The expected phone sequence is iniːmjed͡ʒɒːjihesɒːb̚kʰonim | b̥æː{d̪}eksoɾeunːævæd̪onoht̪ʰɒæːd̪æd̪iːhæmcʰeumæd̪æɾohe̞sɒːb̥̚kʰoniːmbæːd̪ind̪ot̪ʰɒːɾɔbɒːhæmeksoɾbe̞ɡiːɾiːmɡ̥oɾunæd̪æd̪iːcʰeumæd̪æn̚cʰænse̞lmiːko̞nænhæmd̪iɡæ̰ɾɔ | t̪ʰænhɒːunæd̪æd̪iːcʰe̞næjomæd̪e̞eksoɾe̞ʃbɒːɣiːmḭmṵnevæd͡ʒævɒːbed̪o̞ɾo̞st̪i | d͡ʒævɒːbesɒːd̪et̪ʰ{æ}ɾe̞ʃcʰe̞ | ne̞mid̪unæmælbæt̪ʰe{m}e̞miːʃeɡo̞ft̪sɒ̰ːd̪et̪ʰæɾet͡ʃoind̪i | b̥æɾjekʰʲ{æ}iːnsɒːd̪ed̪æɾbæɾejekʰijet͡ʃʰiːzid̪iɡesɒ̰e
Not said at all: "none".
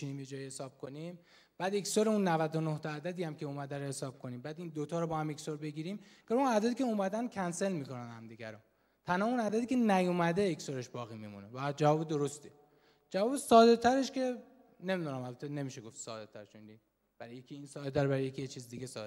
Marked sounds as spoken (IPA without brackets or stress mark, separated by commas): d̪, æ, n, i